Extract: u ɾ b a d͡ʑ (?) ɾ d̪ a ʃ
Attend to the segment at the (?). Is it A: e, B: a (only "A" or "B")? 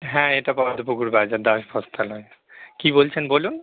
B